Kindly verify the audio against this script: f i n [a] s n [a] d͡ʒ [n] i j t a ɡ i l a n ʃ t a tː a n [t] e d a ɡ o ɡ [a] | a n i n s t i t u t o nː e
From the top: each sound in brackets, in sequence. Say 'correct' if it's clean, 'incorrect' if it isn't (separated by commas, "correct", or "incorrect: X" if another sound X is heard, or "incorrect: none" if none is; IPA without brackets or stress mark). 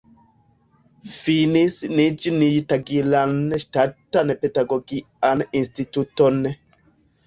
incorrect: i, incorrect: i, correct, incorrect: p, incorrect: i